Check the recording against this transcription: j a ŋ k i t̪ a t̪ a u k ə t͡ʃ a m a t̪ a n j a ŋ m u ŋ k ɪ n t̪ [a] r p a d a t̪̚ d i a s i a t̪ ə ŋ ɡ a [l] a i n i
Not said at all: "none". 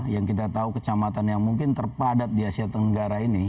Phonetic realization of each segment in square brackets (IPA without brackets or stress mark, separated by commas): ə, ɾ